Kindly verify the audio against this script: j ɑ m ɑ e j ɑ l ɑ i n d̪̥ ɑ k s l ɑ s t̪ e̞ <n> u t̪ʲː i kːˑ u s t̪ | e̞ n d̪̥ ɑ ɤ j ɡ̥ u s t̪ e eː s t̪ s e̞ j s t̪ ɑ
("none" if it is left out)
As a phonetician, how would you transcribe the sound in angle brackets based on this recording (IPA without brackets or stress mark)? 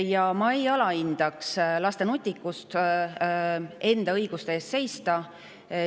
n